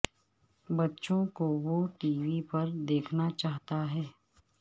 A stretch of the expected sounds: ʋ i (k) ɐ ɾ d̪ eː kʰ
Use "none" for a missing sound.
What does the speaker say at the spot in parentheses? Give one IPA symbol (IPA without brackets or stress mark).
p